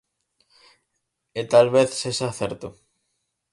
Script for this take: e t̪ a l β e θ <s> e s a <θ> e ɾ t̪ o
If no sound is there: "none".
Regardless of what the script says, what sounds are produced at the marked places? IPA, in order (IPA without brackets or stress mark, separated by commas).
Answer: s, θ